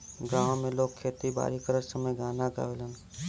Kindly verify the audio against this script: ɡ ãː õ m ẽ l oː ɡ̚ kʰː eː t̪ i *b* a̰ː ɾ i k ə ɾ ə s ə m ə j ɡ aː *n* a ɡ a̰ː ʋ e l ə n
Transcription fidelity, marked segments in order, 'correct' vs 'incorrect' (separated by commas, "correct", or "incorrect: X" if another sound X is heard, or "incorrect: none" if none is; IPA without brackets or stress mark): correct, correct